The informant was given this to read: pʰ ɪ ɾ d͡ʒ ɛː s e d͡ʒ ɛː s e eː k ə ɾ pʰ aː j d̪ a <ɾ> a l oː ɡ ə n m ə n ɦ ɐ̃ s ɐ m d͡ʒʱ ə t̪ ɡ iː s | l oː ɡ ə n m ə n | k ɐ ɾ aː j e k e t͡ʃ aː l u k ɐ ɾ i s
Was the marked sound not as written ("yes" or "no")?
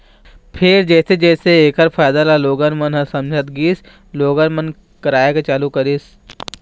yes